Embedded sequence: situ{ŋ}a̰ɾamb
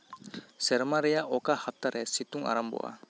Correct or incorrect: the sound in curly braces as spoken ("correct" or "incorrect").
correct